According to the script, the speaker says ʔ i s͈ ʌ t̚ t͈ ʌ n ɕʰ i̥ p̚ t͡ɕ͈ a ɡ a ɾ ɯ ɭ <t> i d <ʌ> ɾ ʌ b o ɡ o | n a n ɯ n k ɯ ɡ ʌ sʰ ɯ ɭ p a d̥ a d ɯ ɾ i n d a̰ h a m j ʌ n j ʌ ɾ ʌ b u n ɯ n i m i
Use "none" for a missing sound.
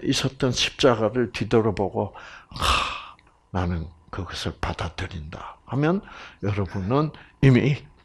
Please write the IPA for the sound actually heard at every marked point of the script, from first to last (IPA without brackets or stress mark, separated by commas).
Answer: t, ʌ